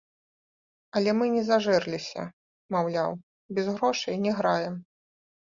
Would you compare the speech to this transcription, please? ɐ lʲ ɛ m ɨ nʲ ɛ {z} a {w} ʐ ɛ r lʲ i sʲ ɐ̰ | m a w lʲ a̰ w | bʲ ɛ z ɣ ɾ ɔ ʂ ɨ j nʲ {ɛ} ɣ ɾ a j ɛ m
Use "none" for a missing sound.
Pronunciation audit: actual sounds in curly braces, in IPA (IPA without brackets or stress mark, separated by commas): z, none, ɛ